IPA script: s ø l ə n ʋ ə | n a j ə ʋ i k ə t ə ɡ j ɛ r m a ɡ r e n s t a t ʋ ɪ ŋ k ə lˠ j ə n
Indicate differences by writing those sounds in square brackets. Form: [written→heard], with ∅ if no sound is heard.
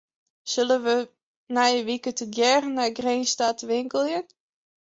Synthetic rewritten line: s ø l ə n ʋ ə | n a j ə ʋ i k ə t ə ɡ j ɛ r [m→n] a ɡ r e n s t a t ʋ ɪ ŋ k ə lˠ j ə n